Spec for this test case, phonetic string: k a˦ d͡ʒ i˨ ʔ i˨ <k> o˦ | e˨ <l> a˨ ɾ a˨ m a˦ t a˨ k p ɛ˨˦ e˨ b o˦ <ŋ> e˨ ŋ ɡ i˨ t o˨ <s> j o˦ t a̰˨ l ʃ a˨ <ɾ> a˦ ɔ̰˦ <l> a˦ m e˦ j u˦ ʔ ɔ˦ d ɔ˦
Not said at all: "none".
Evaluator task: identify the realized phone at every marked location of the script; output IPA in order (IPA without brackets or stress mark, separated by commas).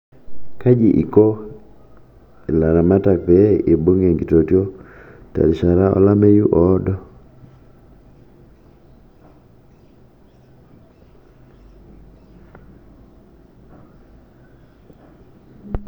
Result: k, l, ŋ, t, ɾ, l